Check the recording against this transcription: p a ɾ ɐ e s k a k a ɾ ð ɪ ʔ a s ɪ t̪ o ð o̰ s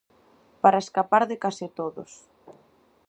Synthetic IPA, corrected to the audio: p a ɾ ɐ e s k a p a ɾ ð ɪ k a s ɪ t̪ o ð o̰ s

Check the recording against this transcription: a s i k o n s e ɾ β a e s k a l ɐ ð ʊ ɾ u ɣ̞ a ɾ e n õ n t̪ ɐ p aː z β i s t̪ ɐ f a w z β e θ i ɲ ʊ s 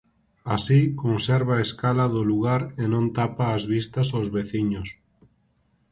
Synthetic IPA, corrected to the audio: a s i k o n s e ɾ β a e s k a l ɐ ð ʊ l u ɣ̞ a ɾ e n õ n t̪ a p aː z β i s t̪ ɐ s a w z β e θ i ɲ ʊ s

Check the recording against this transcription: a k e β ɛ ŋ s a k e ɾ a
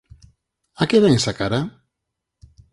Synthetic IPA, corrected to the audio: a k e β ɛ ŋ s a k a ɾ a

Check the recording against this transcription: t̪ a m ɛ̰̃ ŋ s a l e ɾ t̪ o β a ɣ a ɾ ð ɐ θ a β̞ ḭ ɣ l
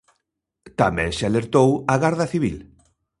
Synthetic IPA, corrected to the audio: t̪ a m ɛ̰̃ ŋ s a l e ɾ t̪ o w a ɣ a ɾ ð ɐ θ i β̞ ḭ l

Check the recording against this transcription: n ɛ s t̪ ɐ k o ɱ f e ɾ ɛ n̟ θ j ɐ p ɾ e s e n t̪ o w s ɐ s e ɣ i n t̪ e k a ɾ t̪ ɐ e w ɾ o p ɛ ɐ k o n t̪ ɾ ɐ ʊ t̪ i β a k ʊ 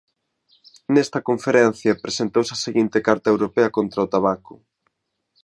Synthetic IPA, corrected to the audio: n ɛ s t̪ ɐ k o ɱ f e ɾ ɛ n̟ θ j ɐ p ɾ e s e n t̪ o w s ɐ s e ɣ i n t̪ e k a ɾ t̪ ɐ e w ɾ o p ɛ ɐ k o n t̪ ɾ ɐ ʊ t̪ a β a k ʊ

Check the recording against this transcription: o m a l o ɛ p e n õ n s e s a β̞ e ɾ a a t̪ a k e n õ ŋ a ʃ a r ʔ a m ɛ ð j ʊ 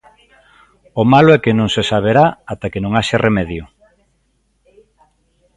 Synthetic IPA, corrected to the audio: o m a l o ɛ k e n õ ŋ s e s a β̞ e ɾ a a t̪ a k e n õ ŋ a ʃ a r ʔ e m ɛ ð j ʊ

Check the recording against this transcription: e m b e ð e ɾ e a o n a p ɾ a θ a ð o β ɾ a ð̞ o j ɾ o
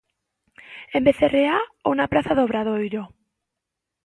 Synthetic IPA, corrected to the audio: e m b e θ e r e a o n a p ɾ a θ a ð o β ɾ a ð̞ o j ɾ o

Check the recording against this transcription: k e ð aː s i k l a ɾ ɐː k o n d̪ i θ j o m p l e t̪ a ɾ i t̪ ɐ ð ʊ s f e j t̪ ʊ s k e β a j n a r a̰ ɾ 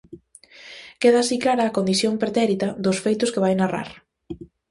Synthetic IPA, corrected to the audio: k e ð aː s i k l a ɾ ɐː k o n d̪ i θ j o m p ɾ e t̪ ɛ ɾ i t̪ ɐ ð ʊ s f e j t̪ ʊ s k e β a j n a r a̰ ɾ

